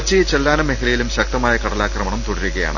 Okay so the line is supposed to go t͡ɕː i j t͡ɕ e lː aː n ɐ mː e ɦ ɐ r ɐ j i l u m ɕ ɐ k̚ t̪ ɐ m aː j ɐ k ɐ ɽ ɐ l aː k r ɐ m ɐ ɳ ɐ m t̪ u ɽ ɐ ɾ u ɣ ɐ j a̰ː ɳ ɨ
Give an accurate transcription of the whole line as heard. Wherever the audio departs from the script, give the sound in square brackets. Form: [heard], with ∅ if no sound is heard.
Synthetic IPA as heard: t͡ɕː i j t͡ɕ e lː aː n ɐ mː e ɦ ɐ [l] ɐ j i l u m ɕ ɐ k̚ t̪ ɐ m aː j ɐ k ɐ ɽ ɐ l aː k r ɐ m ɐ ɳ ɐ m t̪ u ɽ ɐ ɾ u ɣ ɐ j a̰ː ɳ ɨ